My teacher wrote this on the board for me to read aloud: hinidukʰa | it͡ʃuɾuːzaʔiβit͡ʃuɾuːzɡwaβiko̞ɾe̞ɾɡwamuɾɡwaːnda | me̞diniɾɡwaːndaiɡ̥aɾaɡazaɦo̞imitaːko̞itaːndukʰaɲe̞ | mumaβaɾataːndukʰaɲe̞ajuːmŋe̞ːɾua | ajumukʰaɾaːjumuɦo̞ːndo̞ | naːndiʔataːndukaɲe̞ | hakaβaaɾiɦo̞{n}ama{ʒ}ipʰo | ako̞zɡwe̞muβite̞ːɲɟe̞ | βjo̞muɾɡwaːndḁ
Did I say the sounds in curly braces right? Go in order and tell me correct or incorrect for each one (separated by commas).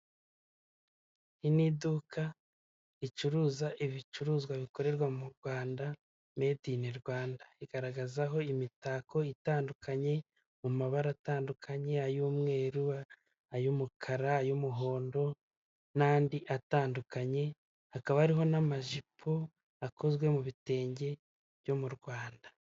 correct, correct